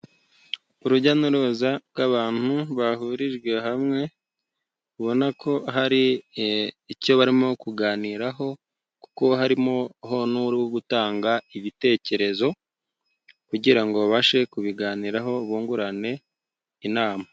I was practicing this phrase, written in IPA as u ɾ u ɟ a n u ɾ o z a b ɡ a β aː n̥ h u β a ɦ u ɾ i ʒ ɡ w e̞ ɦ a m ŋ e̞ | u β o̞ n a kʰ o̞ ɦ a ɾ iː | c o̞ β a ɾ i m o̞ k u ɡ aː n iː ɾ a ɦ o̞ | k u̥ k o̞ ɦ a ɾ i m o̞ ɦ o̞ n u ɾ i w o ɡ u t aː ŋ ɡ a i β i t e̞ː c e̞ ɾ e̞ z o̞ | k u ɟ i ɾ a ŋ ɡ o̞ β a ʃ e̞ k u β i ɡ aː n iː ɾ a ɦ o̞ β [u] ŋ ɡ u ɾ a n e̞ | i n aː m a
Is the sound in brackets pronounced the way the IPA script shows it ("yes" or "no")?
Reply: no